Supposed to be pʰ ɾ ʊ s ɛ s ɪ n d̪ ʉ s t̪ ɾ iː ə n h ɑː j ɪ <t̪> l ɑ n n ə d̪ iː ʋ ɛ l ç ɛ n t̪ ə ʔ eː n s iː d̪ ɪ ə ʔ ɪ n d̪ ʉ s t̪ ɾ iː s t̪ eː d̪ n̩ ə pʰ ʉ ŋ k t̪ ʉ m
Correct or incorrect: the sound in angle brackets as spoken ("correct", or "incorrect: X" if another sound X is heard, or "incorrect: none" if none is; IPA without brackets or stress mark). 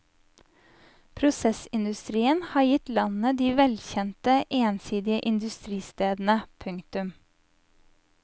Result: correct